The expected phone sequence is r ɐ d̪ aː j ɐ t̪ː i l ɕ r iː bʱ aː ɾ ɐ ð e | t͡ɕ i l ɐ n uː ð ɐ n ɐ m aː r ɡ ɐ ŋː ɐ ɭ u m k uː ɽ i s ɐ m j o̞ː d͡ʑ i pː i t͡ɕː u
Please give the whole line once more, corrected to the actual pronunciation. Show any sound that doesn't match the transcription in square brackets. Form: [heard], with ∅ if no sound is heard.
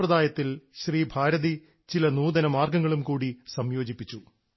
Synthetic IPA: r ɐ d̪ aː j ɐ t̪ː i l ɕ r iː bʱ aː ɾ ɐ ð [i] | t͡ɕ i l ɐ n uː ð ɐ n ɐ m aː r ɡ ɐ ŋː ɐ ɭ u m k uː ɽ i s ɐ m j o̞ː d͡ʑ i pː i t͡ɕː u